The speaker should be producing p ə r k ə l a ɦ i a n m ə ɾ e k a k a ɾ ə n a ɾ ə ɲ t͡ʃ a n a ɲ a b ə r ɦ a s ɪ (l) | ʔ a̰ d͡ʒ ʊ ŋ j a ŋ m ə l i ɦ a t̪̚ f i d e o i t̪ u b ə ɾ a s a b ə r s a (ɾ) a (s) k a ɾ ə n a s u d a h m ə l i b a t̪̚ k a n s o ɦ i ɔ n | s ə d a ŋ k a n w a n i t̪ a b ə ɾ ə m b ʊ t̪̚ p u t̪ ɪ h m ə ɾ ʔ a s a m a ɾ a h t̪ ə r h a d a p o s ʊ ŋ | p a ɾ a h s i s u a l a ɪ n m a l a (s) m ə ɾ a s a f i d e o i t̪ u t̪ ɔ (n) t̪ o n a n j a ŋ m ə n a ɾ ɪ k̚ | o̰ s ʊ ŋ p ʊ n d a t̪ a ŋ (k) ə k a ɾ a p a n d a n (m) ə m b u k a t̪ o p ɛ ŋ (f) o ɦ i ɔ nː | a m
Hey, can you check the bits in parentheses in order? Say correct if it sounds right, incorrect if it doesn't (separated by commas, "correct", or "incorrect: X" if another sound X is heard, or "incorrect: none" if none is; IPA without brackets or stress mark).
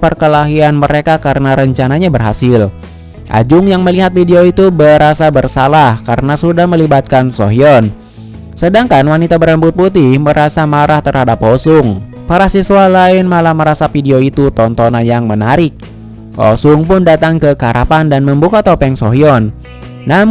correct, incorrect: l, incorrect: h, incorrect: h, correct, correct, correct, incorrect: s